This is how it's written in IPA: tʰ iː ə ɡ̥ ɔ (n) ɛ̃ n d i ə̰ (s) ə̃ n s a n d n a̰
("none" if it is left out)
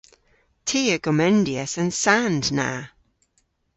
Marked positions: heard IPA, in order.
m, s

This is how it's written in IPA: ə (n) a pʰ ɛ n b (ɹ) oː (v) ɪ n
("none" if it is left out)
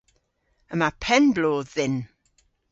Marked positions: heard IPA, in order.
m, l, ð

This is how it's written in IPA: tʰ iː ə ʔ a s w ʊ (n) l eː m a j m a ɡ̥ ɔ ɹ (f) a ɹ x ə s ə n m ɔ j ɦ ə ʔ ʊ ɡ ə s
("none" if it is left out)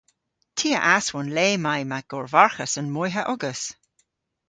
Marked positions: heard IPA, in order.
n, v

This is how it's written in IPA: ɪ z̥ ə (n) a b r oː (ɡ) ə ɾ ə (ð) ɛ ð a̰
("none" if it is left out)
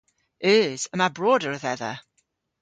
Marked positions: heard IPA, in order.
m, d, ð

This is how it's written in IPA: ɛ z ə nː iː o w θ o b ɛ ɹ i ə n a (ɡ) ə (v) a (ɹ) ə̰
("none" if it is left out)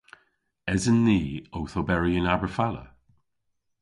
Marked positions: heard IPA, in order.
b, f, l

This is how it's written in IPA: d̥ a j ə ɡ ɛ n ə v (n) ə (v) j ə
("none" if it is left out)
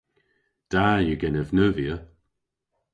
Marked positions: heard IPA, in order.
n, v

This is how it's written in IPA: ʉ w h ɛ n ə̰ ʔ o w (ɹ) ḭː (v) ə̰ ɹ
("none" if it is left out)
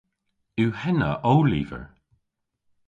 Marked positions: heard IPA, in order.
l, v

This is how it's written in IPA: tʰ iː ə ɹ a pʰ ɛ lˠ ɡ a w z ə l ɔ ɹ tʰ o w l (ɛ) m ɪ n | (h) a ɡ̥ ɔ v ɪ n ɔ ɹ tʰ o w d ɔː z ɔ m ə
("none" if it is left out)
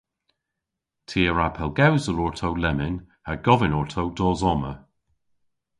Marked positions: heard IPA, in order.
ɛ, h

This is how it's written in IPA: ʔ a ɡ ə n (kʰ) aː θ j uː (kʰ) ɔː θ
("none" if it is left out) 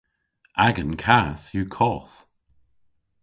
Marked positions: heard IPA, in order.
kʰ, kʰ

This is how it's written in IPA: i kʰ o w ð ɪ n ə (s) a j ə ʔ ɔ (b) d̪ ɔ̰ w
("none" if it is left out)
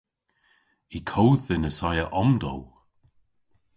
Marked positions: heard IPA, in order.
s, m

